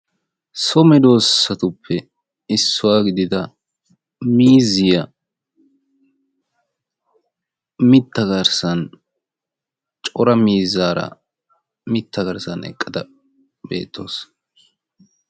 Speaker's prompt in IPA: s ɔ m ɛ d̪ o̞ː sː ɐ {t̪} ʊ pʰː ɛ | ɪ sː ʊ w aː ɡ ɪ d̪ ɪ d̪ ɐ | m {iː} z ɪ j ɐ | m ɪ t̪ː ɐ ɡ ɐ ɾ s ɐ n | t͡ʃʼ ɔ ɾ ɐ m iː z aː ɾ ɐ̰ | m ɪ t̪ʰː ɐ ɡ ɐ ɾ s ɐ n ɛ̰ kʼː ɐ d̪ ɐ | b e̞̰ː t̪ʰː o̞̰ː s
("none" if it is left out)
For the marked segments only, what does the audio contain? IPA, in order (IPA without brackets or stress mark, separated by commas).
t̪, iː